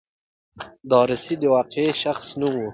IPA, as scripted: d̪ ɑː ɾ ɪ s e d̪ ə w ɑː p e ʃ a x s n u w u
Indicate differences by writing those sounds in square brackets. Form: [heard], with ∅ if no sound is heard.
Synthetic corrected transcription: d̪ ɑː ɾ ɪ s [i] d̪ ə w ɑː [q] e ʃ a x s n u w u